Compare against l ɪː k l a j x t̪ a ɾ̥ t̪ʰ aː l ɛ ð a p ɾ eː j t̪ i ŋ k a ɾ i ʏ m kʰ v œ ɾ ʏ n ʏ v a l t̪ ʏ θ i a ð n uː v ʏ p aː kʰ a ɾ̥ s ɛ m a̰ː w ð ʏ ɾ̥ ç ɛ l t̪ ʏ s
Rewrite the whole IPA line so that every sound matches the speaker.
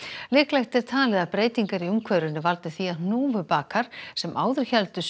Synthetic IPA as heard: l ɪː k l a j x t̪ ɛ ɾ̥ t̪ʰ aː l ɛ ð a p ɾ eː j t̪ i ŋ k a ɾ i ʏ m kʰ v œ ɾ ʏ n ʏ v a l t̪ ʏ θ i a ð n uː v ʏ p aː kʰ a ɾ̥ s ɛ m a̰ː w ð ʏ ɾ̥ ç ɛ l t̪ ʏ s